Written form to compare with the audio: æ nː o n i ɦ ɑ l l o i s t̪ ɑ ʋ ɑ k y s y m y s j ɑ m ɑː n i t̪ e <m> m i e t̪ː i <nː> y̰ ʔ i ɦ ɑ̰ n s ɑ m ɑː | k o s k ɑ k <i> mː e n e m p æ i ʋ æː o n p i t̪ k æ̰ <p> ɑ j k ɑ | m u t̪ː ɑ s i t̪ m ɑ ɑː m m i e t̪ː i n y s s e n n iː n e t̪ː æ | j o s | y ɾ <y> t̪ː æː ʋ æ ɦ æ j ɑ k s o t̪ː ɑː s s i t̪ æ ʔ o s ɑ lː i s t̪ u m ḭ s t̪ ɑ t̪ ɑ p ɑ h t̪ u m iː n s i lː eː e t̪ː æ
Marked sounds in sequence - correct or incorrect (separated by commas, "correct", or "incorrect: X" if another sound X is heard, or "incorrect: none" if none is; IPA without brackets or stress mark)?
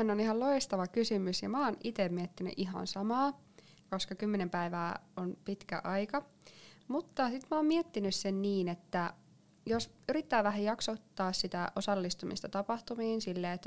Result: correct, incorrect: n, incorrect: y, incorrect: ʔ, incorrect: i